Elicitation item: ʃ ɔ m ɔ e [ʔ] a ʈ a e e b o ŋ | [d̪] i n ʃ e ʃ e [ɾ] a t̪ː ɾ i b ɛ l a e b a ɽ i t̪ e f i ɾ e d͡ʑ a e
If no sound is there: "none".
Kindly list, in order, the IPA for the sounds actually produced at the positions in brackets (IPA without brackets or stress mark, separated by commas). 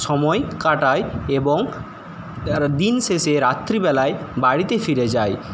k, d̪, ɾ